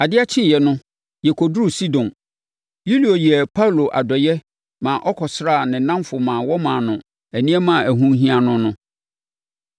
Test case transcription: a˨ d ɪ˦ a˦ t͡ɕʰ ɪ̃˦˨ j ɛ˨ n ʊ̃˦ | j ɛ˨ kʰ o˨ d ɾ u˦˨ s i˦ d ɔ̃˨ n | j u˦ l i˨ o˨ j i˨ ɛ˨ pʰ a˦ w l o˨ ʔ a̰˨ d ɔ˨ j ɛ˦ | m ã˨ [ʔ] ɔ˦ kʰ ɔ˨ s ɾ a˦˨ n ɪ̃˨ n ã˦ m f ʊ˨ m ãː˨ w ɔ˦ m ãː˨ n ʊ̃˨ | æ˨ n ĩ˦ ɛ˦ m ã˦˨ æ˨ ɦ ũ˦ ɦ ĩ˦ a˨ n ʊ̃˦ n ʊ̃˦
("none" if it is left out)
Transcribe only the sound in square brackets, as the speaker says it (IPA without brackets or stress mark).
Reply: ʔ